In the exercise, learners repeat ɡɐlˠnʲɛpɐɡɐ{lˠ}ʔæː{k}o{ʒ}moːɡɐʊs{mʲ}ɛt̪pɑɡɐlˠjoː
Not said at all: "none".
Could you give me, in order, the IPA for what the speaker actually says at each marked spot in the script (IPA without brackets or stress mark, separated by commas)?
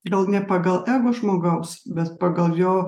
lˠ, ɡ, ʒ, bʲ